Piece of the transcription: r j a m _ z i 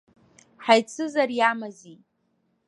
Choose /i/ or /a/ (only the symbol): a